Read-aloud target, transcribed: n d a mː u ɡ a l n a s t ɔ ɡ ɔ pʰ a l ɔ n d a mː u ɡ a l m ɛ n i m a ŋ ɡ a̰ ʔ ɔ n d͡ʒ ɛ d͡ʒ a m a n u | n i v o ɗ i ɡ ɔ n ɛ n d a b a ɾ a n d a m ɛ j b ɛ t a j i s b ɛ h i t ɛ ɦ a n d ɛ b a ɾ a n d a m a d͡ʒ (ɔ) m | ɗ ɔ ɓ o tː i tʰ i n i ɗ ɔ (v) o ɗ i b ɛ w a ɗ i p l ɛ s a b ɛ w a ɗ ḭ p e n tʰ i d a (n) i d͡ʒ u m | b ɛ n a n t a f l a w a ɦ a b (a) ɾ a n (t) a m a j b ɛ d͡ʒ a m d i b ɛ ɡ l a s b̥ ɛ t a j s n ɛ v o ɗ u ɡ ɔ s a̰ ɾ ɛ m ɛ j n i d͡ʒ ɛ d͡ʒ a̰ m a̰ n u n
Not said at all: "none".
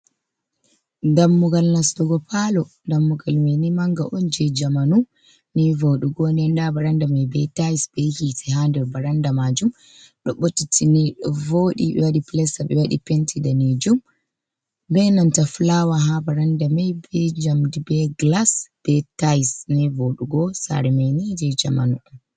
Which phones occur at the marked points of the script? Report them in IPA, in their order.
u, v, n, a, d

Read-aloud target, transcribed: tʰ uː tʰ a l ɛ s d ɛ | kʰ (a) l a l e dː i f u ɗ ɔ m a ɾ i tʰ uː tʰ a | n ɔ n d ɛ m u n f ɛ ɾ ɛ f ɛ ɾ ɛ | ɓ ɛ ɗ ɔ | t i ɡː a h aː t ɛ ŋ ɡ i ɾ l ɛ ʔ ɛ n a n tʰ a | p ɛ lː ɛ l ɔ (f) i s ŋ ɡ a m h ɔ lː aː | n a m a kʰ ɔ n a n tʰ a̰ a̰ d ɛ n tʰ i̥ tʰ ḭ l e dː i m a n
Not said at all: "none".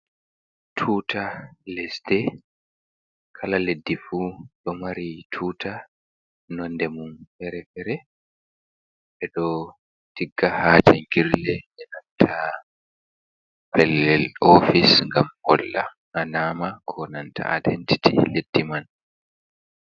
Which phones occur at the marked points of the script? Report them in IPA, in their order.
a, f

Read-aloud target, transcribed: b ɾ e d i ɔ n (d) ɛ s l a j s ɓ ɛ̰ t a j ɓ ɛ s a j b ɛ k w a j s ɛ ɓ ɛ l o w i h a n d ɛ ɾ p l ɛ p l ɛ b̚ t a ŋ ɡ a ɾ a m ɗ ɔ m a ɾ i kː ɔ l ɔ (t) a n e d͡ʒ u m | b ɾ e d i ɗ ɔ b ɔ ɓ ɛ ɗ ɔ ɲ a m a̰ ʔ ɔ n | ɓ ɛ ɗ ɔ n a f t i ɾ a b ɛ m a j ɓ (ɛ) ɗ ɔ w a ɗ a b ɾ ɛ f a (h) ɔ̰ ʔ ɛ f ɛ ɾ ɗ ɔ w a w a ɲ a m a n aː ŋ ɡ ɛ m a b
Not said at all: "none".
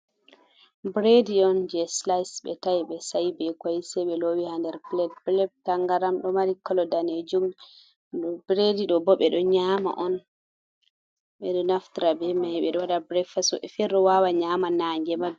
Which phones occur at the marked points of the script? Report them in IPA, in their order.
d͡ʒ, d, ɛ, s

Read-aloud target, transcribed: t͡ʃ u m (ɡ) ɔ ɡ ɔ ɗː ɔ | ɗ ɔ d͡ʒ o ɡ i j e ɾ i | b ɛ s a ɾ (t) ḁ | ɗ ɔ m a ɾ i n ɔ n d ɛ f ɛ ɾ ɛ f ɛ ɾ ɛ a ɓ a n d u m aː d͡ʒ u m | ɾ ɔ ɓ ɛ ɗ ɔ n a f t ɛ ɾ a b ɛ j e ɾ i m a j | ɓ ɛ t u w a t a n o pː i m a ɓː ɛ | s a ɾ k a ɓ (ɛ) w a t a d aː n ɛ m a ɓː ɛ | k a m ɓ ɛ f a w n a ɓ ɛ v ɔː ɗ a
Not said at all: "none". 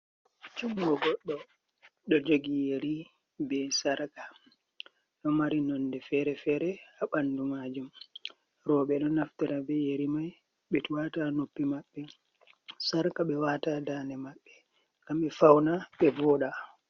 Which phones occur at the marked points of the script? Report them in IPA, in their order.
ɡ, k, ɛ

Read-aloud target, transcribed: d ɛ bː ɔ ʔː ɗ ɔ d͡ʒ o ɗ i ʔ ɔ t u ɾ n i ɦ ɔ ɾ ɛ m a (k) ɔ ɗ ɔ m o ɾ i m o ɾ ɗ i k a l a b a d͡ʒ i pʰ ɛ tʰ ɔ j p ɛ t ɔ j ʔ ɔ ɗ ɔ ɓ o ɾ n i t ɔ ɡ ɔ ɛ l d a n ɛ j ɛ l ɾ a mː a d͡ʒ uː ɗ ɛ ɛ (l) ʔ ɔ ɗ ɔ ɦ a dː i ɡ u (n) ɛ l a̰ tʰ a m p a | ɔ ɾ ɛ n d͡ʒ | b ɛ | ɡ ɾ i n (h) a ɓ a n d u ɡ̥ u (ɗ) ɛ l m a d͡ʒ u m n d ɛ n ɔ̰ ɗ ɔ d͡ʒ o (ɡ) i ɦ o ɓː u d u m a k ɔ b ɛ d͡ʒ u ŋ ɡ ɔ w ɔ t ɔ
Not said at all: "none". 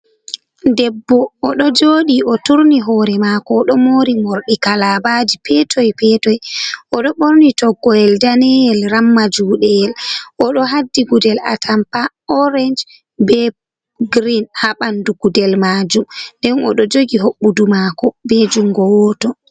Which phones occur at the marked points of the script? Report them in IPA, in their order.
k, l, d, h, d, ɡ

